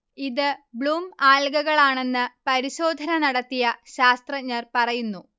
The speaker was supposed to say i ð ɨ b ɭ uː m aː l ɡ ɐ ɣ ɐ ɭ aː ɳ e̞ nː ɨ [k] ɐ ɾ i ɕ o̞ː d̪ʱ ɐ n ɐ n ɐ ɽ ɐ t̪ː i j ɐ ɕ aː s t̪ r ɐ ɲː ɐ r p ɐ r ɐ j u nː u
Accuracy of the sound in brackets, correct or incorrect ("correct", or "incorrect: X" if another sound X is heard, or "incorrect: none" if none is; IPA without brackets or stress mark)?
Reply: incorrect: p